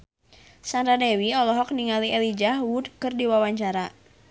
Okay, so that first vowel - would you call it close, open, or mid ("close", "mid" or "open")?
open